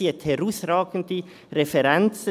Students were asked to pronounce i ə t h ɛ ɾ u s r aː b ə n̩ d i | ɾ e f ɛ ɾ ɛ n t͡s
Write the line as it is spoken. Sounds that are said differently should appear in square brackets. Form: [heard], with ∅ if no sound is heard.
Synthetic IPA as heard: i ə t h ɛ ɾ u s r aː [ɡ] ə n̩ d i | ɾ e f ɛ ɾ ɛ n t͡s